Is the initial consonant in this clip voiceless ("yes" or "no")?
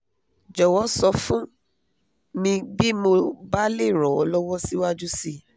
no